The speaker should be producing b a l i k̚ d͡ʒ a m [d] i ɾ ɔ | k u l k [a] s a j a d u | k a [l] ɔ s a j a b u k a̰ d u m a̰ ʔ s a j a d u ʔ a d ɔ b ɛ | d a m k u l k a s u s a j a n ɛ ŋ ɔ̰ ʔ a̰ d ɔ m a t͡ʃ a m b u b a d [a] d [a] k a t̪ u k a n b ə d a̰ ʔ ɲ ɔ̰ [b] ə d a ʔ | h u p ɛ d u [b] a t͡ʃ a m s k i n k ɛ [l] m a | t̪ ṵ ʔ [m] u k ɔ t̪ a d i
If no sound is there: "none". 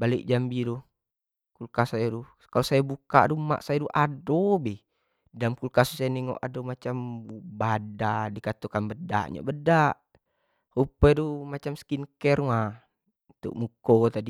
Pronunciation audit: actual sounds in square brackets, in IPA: b, a, l, a, i, b, m, r, m

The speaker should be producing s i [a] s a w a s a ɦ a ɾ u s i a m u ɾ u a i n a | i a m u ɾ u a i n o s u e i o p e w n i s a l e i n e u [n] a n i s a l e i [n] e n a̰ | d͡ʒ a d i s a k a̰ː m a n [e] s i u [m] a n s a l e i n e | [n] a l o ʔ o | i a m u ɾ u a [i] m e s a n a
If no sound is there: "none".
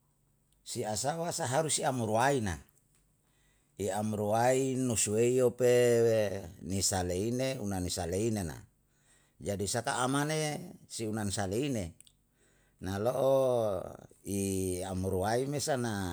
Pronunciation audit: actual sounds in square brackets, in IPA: a, n, n, e, n, n, i

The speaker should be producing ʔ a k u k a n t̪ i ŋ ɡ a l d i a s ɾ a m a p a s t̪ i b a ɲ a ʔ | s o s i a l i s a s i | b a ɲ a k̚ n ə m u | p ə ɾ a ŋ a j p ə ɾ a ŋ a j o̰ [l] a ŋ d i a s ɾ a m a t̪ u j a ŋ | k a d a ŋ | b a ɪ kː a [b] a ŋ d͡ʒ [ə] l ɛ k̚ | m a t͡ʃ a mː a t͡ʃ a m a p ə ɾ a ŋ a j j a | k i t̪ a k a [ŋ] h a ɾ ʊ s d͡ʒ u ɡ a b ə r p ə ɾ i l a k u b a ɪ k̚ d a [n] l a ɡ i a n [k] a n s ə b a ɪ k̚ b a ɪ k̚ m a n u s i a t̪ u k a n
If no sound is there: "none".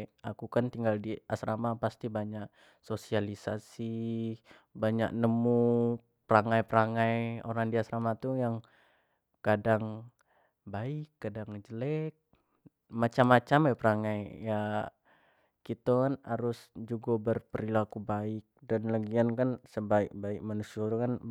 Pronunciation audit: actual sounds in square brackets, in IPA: ɾ, d, ə, n, n, k

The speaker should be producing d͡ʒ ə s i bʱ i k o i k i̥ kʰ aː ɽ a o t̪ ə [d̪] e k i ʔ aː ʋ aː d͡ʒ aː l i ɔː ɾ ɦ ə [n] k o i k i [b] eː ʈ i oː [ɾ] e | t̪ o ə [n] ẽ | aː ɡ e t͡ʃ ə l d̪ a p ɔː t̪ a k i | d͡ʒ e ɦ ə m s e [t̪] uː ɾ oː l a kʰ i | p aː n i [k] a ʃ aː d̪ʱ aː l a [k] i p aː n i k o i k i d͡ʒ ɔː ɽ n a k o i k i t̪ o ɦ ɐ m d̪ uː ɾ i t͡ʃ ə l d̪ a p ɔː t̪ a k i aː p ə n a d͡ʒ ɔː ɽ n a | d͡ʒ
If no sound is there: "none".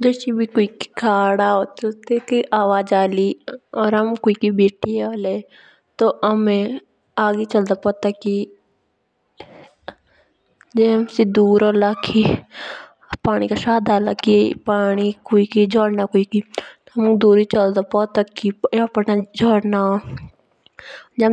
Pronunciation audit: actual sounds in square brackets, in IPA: t̪, m, b, l, m, d̪, k, k

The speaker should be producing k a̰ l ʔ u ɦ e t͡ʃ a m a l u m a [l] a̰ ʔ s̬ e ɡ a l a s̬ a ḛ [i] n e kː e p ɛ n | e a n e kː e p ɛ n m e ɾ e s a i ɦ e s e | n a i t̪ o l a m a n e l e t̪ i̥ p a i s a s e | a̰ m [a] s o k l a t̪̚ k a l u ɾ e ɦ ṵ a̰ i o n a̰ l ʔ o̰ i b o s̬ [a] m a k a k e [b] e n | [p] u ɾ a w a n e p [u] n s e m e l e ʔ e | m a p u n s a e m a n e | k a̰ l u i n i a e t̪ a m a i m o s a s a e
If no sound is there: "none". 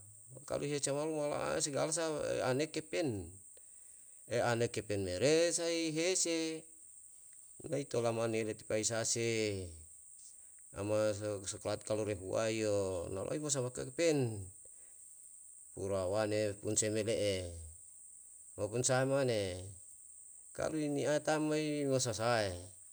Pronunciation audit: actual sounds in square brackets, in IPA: l, a, a, a, p, p, u

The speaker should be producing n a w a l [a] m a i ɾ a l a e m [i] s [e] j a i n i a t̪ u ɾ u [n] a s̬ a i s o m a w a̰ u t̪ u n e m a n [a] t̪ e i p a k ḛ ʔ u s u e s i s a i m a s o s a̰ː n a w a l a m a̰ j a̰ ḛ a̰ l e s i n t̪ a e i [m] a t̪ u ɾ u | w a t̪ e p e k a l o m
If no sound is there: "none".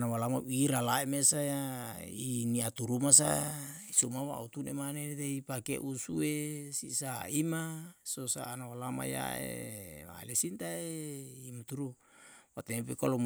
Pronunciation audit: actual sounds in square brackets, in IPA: a, e, a, m, e, m

